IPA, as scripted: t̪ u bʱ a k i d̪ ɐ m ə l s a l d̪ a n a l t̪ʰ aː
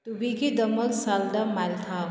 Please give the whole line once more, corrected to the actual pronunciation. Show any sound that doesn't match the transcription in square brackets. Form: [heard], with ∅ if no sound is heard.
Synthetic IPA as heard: t̪ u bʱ [i] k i d̪ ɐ m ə l s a l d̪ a [m] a l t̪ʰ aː